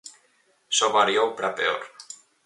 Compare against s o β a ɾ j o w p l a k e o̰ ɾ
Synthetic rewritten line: s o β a ɾ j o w p ɾ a p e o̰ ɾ